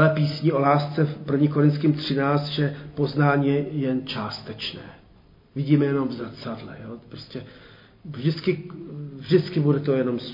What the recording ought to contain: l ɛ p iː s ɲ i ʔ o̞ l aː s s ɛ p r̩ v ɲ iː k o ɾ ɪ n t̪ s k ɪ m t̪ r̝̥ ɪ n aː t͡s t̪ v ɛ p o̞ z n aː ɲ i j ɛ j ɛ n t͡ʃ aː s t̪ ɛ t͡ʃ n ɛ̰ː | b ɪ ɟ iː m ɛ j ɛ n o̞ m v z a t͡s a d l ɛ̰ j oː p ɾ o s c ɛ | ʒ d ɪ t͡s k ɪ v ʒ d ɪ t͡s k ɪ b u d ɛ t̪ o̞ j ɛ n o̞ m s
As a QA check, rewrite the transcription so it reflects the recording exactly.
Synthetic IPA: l ɛ p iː s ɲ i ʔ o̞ l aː s t͡s ɛ p r̩ v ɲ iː k o ɾ ɪ n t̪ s k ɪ m t̪ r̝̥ ɪ n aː t͡s t̪ ʒ ɛ p o̞ z n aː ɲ i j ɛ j ɛ n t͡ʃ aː s t̪ ɛ t͡ʃ n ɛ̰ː | v ɪ ɟ iː m ɛ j ɛ n o̞ m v z a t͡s a d l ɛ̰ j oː p ɾ o s c ɛ | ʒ d ɪ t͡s k ɪ v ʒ d ɪ t͡s k ɪ b u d ɛ t̪ o̞ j ɛ n o̞ m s